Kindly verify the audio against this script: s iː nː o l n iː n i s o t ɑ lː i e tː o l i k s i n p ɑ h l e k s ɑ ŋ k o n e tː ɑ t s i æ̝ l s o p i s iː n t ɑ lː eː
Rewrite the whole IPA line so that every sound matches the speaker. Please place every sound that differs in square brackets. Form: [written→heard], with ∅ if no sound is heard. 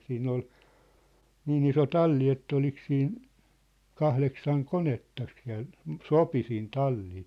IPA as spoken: s iː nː o l n iː n i s o t ɑ lː i e tː o l i k s [i→iː] n [p→k] ɑ h l e k s ɑ ŋ k o n e tː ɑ [t→k] s i æ̝ l s o p i s iː n t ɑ lː [eː→iː]